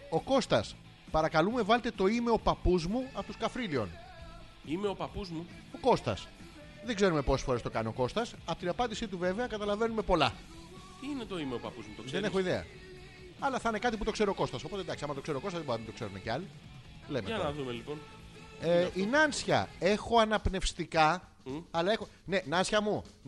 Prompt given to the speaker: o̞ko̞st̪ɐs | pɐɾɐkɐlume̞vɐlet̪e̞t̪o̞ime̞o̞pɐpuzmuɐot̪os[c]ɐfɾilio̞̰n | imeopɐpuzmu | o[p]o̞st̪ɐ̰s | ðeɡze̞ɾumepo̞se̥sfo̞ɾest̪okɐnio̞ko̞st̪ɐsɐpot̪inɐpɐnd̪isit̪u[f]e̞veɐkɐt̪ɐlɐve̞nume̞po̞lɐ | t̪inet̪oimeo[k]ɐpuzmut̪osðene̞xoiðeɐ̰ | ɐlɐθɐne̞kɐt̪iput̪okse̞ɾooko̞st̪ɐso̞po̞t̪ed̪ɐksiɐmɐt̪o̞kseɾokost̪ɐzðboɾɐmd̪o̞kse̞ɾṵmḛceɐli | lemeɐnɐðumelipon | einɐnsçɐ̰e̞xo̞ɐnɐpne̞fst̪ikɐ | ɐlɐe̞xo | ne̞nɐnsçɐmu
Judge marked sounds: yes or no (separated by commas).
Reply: no, no, no, no